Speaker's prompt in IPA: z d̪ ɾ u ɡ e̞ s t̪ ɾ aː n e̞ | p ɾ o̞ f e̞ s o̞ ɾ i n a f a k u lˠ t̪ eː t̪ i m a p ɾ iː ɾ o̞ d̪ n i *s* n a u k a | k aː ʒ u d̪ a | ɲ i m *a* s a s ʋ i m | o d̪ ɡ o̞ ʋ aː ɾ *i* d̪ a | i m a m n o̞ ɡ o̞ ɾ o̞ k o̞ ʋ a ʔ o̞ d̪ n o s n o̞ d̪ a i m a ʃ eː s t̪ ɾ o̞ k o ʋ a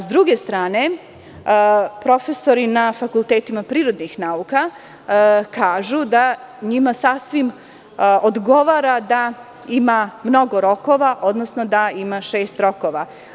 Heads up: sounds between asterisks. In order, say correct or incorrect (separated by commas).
incorrect, correct, incorrect